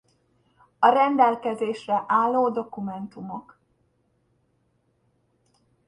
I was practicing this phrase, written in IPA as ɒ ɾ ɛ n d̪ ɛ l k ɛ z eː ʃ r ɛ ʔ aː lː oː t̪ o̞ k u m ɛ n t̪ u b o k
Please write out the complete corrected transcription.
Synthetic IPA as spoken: ɒ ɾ ɛ n d̪ ɛ l k ɛ z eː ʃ r ɛ ʔ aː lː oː d̪ o̞ k u m ɛ n t̪ u m o k